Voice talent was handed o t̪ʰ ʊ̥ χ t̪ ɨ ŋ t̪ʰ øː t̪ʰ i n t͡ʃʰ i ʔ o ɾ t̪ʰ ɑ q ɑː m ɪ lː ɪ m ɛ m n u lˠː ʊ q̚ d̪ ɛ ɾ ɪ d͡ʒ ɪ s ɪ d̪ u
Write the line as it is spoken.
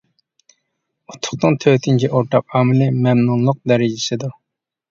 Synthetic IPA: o t̪ʰ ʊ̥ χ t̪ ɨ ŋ t̪ʰ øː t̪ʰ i n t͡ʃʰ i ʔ o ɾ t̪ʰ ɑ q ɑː m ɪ l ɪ m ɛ m n u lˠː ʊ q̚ d̪ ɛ ɾ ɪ d͡ʒ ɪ s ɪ d̪ u